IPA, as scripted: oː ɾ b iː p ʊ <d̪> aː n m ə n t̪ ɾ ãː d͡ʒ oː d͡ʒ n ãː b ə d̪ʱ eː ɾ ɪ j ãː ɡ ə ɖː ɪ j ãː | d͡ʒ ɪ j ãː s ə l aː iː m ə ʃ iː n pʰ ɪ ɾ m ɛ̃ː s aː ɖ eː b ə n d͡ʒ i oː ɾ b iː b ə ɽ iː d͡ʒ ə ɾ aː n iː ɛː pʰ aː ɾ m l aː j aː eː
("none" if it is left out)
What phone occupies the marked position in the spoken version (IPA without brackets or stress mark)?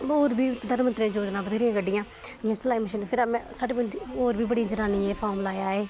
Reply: d̪